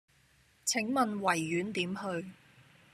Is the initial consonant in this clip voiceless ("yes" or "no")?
yes